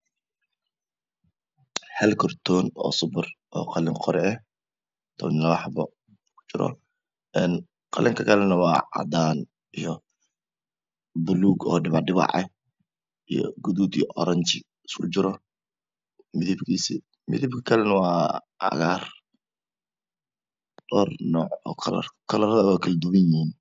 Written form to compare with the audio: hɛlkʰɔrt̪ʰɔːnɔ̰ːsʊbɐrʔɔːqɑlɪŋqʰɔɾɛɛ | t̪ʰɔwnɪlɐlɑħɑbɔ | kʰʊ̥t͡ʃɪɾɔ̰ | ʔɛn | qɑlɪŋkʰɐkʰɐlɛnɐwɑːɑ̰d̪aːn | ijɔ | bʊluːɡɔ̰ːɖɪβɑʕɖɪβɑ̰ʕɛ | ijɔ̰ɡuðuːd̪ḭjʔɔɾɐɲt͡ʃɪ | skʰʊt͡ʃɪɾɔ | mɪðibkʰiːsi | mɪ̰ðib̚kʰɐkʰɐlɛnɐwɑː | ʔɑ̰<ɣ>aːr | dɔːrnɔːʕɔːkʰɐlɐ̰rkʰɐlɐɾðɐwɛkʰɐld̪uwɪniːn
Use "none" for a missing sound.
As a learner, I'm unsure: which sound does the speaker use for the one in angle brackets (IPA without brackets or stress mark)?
ɣ